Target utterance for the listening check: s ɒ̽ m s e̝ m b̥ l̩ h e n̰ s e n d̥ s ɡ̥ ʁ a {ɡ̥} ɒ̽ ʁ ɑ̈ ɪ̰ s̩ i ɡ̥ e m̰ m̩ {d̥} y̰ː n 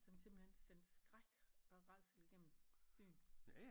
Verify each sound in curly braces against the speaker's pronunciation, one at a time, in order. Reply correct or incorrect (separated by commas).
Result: correct, incorrect